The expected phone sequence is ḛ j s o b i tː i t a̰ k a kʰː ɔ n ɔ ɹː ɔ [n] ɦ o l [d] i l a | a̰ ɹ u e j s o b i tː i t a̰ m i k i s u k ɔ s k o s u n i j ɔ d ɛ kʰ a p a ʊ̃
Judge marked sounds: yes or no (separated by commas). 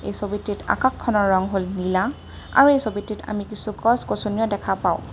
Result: no, no